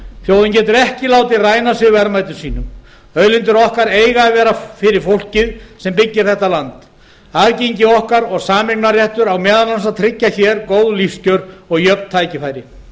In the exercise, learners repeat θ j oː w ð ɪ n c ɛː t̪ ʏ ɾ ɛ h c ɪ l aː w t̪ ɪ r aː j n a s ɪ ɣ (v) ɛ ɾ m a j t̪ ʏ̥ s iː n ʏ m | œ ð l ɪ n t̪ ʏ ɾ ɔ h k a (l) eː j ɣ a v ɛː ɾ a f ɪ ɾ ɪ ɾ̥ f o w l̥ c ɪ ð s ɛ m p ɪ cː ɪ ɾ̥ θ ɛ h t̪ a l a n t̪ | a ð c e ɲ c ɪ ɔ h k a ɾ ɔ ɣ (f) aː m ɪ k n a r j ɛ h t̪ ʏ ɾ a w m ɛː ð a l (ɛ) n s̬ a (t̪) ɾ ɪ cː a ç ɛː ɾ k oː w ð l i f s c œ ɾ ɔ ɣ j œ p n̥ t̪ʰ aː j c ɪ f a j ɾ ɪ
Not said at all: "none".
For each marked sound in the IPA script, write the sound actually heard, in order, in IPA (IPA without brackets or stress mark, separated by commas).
v, ɾ, s, a, t̪ʰ